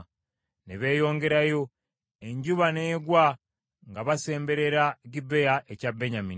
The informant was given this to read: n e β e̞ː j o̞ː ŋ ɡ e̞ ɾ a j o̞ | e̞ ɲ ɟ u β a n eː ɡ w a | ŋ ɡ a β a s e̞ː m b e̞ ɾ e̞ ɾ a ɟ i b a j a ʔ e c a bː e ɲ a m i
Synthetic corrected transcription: n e β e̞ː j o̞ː ŋ ɡ e̞ ɾ a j o̞ | e̞ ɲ ɟ u β a n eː ɡ w a | ŋ ɡ a β a s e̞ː m b e̞ ɾ e̞ ɾ a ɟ i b e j a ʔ e c a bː e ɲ a m i